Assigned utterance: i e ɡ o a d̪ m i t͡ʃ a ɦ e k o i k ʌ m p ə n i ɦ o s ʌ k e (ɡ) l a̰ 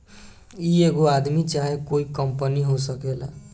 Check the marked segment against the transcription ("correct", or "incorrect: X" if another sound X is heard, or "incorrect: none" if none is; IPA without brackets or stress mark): incorrect: none